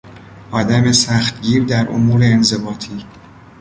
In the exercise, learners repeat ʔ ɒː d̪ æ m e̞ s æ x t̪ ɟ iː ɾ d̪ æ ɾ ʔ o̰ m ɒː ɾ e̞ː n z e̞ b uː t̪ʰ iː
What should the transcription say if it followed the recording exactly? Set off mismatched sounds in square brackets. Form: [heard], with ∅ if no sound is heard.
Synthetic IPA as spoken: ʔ ɒː d̪ æ m e̞ s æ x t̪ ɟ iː ɾ d̪ æ ɾ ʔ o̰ m [uː] ɾ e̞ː n z e̞ b [ɒː] t̪ʰ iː